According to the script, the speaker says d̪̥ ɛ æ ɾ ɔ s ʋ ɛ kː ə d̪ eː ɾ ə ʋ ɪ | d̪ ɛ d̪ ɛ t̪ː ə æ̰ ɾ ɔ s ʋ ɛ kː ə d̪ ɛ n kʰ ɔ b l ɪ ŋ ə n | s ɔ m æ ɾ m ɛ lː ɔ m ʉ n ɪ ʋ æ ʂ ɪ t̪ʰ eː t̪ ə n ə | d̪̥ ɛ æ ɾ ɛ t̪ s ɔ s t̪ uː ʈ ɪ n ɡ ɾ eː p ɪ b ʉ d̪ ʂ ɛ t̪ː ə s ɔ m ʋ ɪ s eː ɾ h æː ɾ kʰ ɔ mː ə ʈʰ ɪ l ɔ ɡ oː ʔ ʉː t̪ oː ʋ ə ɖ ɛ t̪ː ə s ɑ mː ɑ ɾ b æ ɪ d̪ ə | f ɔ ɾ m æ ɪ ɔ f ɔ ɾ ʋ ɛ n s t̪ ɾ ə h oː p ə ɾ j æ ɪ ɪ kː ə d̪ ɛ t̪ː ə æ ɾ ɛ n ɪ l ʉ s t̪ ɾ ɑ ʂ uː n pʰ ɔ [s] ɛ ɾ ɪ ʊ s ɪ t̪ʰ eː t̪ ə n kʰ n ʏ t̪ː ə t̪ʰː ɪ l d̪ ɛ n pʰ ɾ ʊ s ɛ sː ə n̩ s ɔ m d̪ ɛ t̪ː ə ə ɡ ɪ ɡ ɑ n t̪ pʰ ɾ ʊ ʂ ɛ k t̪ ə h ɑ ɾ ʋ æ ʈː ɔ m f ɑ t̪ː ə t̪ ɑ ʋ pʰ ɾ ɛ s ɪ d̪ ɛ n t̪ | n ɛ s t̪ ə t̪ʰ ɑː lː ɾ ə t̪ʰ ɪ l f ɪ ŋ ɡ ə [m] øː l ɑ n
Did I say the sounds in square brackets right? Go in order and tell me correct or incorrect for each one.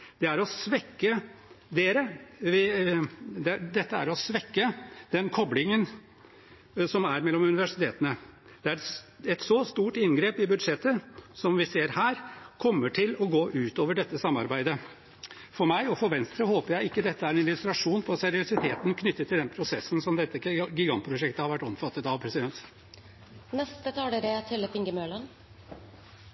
correct, correct

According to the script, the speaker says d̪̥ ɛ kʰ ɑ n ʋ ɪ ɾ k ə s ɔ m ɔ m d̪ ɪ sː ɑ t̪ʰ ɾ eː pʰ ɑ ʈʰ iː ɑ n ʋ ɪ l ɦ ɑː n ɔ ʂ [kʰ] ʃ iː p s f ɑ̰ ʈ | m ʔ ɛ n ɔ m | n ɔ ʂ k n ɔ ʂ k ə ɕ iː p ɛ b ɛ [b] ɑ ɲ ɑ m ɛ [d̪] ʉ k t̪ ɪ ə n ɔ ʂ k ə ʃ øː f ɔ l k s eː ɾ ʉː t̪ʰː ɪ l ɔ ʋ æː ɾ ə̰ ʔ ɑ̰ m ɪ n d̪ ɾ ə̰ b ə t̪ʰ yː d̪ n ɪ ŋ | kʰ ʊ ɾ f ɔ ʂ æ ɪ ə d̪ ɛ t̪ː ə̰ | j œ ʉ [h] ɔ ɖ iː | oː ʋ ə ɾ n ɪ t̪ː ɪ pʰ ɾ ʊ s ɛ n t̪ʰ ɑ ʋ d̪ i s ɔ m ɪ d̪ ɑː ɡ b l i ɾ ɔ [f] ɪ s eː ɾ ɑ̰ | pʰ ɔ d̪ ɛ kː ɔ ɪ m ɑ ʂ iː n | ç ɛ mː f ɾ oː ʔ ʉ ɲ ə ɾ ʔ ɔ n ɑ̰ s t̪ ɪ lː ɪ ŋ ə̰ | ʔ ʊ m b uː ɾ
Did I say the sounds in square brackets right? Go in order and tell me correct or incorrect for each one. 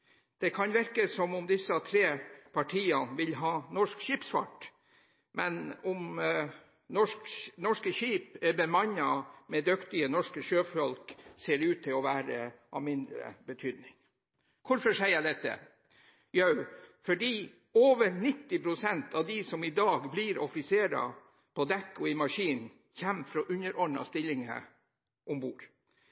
incorrect: k, incorrect: m, correct, incorrect: f, correct

